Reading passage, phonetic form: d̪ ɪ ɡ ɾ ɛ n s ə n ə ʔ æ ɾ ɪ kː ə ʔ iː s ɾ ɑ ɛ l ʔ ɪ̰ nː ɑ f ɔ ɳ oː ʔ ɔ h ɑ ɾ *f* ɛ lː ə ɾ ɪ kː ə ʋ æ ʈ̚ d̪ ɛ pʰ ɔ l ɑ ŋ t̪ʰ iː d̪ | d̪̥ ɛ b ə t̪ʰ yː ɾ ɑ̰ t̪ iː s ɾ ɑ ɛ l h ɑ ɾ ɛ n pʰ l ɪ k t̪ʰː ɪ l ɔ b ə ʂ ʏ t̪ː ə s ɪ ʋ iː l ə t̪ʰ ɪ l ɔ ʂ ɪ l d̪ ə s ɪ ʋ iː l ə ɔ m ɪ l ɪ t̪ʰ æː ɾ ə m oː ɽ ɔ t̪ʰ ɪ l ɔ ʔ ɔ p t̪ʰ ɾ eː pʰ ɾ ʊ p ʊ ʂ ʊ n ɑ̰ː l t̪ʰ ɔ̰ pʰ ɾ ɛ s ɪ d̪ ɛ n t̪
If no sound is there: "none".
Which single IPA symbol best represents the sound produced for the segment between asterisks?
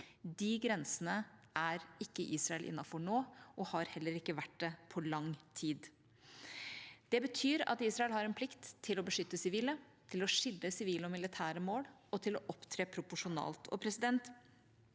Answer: h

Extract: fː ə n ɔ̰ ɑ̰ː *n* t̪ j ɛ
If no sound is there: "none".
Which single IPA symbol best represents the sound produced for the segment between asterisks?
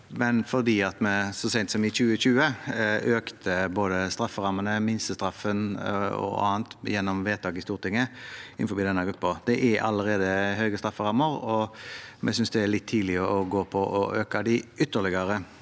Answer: n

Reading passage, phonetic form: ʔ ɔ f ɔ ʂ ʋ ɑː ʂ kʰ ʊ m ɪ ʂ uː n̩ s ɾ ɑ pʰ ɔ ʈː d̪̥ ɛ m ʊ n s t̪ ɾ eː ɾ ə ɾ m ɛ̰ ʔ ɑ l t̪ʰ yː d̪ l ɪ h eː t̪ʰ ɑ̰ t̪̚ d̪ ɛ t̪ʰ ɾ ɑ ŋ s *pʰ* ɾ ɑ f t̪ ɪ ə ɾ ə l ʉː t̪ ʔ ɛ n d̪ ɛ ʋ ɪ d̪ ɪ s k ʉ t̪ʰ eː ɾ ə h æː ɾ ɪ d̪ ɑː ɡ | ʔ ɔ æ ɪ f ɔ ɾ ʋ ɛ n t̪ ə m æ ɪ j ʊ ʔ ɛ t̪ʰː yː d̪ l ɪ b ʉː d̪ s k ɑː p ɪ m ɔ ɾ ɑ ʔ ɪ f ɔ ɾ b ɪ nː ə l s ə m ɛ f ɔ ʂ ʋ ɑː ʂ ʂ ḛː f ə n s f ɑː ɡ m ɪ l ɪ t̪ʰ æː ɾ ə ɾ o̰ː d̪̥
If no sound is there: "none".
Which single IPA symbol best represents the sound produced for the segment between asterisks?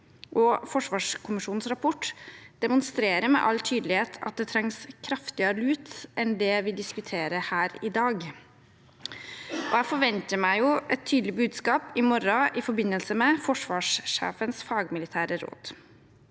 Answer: kʰ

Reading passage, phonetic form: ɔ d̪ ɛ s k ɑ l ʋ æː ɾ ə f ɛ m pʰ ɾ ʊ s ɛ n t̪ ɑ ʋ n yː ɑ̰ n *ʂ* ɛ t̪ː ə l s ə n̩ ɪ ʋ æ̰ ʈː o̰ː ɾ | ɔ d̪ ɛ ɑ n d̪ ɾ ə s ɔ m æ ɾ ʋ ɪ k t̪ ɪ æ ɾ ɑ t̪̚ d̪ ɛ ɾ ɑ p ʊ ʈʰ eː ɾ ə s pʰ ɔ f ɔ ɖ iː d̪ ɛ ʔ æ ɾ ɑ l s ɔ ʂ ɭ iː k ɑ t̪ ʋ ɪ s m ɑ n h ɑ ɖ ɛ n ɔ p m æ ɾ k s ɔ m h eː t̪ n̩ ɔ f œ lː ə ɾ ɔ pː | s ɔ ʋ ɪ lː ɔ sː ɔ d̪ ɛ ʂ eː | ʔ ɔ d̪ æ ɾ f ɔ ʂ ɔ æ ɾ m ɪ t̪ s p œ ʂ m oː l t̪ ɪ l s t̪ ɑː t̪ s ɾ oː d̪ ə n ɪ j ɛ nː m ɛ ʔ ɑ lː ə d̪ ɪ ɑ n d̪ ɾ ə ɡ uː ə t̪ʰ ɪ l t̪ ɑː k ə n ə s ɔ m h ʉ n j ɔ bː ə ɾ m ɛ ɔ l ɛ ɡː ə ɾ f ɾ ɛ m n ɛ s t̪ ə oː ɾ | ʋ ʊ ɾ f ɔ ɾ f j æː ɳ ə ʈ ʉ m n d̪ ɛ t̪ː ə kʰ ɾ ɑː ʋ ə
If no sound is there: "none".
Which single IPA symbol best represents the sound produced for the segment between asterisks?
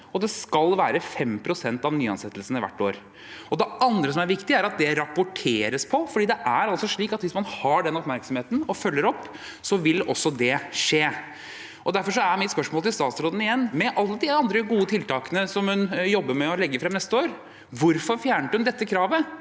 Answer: s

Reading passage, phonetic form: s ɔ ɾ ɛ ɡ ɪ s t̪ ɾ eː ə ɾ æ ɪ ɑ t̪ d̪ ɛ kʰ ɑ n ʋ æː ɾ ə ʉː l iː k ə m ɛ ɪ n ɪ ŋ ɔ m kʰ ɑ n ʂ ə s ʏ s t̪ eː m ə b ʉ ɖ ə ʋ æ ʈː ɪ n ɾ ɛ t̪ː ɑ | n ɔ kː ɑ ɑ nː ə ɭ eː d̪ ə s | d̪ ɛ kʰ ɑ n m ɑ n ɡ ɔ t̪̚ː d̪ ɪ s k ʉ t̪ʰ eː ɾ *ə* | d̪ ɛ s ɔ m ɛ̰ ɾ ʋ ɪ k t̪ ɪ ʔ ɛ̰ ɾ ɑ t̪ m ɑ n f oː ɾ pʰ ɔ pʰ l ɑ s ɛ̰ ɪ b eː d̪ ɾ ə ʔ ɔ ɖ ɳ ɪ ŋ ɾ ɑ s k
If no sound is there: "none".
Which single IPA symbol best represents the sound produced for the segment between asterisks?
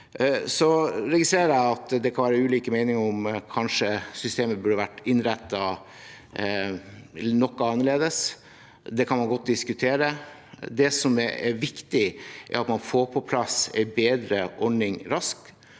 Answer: ə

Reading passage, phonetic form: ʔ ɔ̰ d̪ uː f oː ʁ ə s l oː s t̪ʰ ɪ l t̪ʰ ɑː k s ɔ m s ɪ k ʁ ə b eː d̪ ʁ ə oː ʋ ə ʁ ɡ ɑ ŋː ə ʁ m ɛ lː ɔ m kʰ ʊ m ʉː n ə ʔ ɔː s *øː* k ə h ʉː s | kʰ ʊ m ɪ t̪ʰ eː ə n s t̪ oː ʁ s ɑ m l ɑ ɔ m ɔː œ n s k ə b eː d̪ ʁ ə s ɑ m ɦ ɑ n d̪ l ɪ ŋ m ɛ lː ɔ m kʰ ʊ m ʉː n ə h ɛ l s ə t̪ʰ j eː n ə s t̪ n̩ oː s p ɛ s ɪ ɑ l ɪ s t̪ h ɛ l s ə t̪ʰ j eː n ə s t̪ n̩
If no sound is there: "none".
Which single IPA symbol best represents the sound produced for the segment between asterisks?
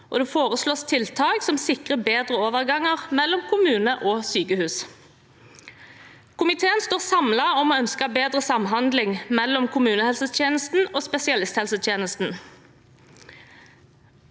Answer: yː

